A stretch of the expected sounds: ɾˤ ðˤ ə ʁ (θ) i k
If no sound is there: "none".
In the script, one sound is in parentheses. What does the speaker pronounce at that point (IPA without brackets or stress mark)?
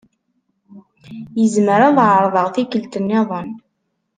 θ